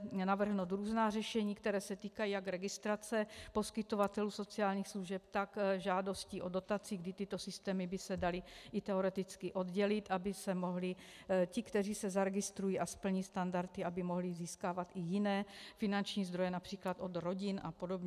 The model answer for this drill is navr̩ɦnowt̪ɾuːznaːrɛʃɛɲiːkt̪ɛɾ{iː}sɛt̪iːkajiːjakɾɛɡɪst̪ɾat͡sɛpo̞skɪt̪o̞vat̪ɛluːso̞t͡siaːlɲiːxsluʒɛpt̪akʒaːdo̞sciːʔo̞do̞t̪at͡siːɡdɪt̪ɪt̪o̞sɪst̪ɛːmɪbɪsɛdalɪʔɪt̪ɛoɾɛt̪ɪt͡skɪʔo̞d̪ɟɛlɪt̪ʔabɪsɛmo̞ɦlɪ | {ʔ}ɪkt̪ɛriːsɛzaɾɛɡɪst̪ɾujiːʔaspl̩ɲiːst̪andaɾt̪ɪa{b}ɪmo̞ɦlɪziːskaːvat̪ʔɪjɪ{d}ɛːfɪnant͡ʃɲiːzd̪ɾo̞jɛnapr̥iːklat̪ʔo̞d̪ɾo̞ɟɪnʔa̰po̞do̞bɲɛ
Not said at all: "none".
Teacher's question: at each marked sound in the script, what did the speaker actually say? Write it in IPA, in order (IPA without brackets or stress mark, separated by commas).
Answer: ɛː, c, b, n